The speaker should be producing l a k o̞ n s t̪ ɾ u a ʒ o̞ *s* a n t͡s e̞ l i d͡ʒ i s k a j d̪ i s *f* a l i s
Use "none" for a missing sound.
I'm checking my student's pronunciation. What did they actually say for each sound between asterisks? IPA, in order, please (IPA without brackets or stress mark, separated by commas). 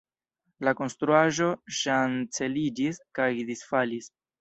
ʃ, f